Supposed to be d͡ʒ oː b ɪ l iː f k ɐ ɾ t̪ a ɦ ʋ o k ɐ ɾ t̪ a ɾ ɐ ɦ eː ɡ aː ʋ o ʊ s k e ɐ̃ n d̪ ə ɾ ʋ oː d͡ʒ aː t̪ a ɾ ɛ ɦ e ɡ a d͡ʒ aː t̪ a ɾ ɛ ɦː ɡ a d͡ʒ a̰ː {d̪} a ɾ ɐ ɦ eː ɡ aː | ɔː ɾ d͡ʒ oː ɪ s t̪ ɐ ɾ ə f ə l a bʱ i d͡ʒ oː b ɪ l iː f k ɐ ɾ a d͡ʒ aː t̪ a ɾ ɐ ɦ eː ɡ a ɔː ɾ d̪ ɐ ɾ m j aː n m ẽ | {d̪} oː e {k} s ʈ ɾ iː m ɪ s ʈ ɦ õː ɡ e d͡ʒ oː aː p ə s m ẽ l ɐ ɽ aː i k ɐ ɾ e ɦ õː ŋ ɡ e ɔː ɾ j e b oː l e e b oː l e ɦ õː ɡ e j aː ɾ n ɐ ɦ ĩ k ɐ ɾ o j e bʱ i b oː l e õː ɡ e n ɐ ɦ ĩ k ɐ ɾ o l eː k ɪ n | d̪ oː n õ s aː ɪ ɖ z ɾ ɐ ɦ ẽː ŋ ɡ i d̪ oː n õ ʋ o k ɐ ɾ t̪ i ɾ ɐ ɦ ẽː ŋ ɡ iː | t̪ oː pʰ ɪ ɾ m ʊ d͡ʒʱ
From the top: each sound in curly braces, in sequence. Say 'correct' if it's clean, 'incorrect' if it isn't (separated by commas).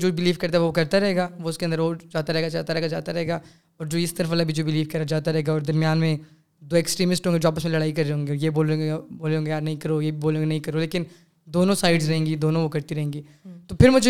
incorrect, correct, correct